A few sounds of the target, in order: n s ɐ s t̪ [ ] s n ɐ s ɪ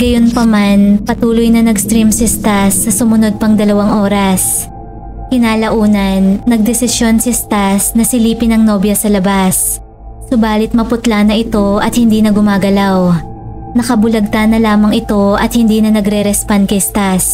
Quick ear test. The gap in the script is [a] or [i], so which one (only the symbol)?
a